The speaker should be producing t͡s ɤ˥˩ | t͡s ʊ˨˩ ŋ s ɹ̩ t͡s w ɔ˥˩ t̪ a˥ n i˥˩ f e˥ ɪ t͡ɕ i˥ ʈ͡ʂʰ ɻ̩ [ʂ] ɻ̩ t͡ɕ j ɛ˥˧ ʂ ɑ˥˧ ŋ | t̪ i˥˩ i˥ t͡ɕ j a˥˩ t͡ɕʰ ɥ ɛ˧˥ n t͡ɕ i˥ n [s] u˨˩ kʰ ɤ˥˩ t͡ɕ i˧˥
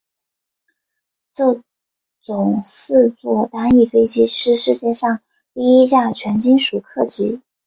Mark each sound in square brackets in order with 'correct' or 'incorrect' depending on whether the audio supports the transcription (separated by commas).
correct, incorrect